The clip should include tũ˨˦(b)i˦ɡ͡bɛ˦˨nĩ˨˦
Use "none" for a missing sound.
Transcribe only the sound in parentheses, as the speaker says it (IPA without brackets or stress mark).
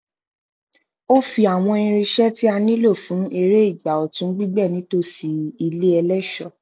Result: ɡ͡b